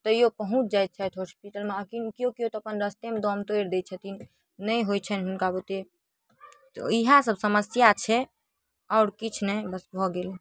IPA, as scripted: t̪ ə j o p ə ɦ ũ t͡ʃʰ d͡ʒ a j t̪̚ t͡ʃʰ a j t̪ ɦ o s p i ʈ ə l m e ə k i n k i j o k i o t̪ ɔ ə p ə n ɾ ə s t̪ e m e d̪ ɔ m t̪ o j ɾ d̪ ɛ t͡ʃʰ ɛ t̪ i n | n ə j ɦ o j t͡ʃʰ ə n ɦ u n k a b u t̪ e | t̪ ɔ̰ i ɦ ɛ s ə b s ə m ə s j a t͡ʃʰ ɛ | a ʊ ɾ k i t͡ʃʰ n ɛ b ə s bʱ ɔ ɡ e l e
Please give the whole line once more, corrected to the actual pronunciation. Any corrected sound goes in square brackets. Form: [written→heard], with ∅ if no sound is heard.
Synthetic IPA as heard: t̪ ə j o p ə ɦ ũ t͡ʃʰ d͡ʒ a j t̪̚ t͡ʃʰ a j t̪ ɦ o s p i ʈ ə l m e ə k i n k i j o k i o t̪ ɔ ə p ə n ɾ ə s t̪ e m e d̪ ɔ m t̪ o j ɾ d̪ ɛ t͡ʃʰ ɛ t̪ i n | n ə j ɦ o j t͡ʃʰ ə n ɦ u n k a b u t̪ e | t̪ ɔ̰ i ɦ [ɛ→a] s ə b s ə m ə s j a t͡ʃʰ ɛ | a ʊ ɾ k i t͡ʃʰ n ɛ b ə s bʱ ɔ ɡ e l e